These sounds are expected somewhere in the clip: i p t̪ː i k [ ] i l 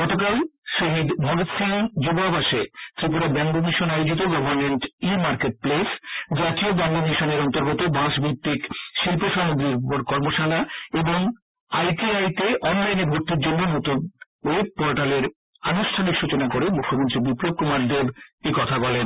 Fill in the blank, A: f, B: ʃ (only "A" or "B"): B